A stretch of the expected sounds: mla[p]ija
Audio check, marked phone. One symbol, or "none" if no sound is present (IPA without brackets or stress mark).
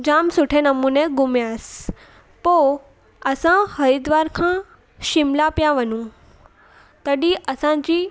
p